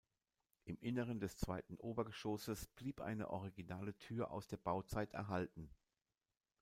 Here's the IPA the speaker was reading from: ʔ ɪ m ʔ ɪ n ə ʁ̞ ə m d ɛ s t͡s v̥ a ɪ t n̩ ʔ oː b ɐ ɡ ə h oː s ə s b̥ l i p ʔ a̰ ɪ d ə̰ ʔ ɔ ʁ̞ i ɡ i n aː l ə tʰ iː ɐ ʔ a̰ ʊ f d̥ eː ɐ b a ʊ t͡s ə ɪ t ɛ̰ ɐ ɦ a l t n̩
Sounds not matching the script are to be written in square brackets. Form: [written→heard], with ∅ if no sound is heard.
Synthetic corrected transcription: ʔ ɪ m ʔ ɪ n ə ʁ̞ ə [m→n] d ɛ s t͡s v̥ a ɪ t n̩ ʔ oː b ɐ ɡ ə [h→ʃ] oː s ə s b̥ l [i→iː] p ʔ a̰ ɪ [d→n] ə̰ ʔ ɔ ʁ̞ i ɡ i n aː l ə tʰ [iː→yː] ɐ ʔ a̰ ʊ [f→s] d̥ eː ɐ b a ʊ t͡s [ə→a] ɪ t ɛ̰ ɐ ɦ a l t n̩